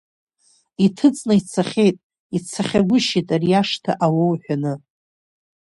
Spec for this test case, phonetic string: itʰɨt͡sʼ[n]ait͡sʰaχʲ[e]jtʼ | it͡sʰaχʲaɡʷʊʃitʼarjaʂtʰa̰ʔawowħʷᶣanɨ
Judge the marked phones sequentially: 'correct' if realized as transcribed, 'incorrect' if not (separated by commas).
correct, correct